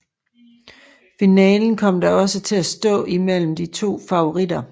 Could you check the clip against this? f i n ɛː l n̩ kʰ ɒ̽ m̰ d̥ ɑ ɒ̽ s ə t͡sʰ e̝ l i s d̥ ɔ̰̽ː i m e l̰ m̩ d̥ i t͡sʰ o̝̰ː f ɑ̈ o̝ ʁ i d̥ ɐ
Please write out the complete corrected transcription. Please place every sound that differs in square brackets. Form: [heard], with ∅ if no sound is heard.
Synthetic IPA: f i n ɛː l n̩ kʰ ɒ̽ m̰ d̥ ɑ ɒ̽ s ə t͡sʰ e̝ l [æ] s d̥ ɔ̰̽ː i m e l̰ m̩ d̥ i t͡sʰ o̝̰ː f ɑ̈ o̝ ʁ i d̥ ɐ